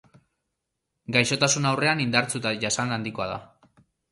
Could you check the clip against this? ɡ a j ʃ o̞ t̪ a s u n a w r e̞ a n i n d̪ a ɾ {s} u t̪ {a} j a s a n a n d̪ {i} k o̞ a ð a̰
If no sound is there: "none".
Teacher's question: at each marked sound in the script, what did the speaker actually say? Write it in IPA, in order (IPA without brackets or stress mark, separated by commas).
t͡s, a, i